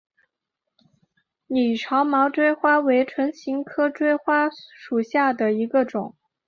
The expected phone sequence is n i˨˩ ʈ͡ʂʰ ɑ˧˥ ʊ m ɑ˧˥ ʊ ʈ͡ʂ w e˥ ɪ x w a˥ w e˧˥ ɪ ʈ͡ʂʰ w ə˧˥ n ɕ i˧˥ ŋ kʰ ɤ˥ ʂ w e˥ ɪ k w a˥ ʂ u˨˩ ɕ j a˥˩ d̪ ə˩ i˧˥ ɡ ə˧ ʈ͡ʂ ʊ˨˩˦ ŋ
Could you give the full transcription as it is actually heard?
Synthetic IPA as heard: n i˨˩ ʈ͡ʂʰ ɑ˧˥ ʊ m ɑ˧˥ ʊ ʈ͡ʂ w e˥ ɪ x w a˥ w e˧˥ ɪ ʈ͡ʂʰ w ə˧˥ n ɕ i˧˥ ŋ kʰ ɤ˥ ʈ͡ʂ w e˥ ɪ x w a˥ ʂ u˨˩ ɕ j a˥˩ d̪ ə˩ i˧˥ ɡ ə˧ ʈ͡ʂ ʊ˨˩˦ ŋ